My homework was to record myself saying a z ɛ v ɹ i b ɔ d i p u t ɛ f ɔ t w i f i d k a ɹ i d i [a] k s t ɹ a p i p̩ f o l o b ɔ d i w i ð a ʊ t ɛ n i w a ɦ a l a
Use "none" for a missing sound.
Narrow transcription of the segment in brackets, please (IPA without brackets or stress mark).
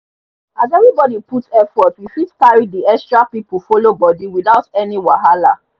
ɛ